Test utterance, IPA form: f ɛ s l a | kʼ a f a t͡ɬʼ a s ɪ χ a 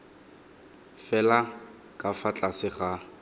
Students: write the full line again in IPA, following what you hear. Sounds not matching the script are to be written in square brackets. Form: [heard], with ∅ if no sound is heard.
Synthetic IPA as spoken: f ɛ [∅] l a | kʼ a f a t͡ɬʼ a s ɪ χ a